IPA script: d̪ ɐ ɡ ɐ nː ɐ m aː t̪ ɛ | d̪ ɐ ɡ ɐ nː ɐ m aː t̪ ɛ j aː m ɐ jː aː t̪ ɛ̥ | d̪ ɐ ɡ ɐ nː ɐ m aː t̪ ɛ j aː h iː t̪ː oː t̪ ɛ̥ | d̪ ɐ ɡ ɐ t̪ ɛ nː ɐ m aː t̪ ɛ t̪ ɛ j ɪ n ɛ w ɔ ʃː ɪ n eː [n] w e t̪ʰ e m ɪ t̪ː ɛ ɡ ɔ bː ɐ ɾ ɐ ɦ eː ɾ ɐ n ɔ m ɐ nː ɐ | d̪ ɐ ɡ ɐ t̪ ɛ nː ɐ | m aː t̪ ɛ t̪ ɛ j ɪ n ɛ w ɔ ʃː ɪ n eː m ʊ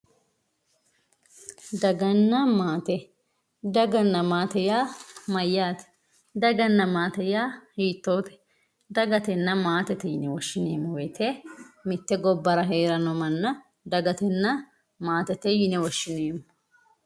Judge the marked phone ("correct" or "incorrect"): incorrect